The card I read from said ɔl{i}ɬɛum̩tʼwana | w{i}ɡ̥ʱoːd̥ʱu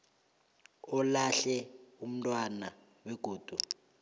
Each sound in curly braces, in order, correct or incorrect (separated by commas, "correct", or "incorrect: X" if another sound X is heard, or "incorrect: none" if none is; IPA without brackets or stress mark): incorrect: a, incorrect: ɛ